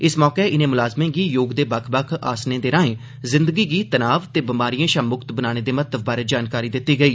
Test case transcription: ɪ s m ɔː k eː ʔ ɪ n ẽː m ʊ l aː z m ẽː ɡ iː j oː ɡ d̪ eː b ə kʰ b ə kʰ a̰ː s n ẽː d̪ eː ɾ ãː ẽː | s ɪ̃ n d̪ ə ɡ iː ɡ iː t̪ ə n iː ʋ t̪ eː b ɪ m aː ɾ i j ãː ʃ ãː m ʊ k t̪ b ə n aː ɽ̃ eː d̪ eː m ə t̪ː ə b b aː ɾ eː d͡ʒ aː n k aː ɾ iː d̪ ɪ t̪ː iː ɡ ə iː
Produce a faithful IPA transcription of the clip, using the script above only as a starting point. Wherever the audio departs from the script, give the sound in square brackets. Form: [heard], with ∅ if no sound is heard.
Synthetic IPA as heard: ɪ s m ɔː k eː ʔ ɪ n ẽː m ʊ l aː z m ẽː ɡ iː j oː ɡ d̪ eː b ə kʰ b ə kʰ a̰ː s n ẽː d̪ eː ɾ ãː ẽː | [z] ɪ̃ n d̪ ə ɡ iː ɡ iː t̪ ə n [aː] ʋ t̪ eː b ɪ m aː ɾ i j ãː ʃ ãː m ʊ k t̪ b ə n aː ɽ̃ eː d̪ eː m ə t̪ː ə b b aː ɾ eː d͡ʒ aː n k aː ɾ iː d̪ ɪ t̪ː iː ɡ ə iː

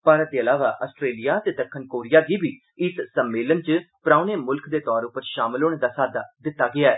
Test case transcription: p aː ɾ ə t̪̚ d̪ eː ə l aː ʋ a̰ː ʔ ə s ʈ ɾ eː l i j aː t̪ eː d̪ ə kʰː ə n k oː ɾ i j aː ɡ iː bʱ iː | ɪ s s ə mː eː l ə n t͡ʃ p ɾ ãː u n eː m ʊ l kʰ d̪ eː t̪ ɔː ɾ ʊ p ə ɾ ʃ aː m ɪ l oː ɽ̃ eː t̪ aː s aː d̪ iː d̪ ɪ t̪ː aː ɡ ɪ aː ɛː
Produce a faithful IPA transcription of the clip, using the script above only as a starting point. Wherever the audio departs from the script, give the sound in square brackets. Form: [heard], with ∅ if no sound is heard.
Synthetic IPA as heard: p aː ɾ ə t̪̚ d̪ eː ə l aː ʋ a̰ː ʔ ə s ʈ ɾ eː l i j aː t̪ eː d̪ ə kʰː ə n k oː ɾ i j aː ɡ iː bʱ iː | ɪ s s ə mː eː l ə n t͡ʃ p ɾ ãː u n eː m ʊ l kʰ d̪ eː t̪ ɔː ɾ ʊ p ə ɾ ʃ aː m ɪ l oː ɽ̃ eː [d̪] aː s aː d̪ [aː] d̪ ɪ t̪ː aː ɡ ɪ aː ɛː

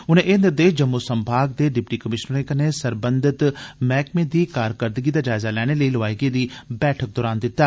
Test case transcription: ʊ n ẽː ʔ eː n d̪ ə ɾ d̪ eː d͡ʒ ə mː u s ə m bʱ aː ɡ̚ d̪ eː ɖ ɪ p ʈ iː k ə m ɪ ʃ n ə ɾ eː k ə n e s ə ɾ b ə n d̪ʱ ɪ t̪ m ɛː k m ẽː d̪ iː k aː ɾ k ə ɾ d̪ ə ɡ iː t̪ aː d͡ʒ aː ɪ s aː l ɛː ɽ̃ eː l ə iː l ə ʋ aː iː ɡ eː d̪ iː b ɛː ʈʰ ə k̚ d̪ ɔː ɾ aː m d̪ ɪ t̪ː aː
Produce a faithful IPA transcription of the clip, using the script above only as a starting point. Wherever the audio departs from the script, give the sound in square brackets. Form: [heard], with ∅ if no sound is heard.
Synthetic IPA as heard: ʊ n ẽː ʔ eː n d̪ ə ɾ d̪ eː d͡ʒ ə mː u s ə m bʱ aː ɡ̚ d̪ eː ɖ ɪ p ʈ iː k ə m ɪ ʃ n ə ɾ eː k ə n e s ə ɾ b ə n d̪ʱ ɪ t̪ m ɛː k m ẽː d̪ iː k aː ɾ k ə ɾ d̪ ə ɡ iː [d̪] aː d͡ʒ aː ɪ [z] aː l ɛː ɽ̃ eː l ə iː l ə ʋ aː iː ɡ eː d̪ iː b ɛː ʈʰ ə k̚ d̪ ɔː ɾ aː [n] d̪ ɪ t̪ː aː

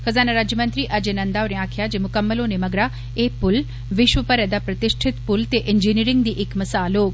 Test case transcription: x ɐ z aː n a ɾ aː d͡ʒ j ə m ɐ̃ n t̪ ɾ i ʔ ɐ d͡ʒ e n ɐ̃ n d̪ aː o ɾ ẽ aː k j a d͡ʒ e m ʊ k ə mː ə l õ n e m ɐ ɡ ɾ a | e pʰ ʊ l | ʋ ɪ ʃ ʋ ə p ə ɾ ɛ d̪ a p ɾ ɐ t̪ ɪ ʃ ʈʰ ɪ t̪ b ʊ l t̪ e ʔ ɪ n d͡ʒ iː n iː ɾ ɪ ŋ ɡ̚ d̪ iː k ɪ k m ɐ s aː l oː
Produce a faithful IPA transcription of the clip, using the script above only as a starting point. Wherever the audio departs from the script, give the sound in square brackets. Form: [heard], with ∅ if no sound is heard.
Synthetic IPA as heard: x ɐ z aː n a ɾ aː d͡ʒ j ə m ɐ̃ n t̪ ɾ i ʔ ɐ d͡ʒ e n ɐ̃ n d̪ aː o ɾ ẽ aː [kʰ] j a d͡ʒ e m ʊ k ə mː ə l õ n e m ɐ ɡ ɾ a | e [p] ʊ l | ʋ ɪ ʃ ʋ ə p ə ɾ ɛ d̪ a p ɾ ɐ t̪ ɪ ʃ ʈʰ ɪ t̪ [p] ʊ l t̪ e ʔ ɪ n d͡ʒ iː n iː ɾ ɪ ŋ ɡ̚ d̪ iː [ʔ] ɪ k m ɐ s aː l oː

